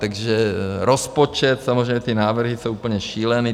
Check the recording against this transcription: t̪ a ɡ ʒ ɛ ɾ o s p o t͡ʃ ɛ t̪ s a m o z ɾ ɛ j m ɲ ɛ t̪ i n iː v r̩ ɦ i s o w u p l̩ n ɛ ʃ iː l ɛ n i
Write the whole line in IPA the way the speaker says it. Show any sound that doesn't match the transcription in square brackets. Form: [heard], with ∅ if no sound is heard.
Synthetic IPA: t̪ a ɡ ʒ ɛ ɾ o s p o t͡ʃ ɛ t̪ s a m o z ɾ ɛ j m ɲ ɛ t̪ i n [aː] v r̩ ɦ i s o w u p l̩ [ɲ] ɛ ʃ iː l ɛ n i